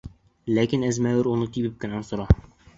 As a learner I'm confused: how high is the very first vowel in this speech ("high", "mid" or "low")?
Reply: low